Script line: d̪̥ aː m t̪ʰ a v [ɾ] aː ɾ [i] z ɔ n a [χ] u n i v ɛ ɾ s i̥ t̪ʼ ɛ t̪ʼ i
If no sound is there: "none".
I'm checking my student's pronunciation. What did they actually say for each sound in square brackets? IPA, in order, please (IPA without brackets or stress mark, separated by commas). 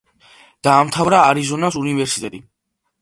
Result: ɾ, i, s